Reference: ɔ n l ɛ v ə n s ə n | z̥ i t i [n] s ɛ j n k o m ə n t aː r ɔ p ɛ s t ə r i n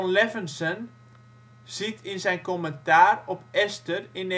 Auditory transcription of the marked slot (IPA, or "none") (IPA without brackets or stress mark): n